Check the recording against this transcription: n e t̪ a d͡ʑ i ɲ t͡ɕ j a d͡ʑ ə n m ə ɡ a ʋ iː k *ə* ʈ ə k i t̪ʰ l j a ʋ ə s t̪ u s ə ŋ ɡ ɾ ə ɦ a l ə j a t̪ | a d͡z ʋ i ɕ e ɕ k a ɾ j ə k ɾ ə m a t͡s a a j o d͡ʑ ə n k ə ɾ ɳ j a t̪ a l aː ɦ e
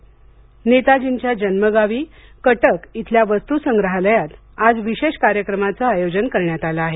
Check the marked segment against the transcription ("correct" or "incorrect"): correct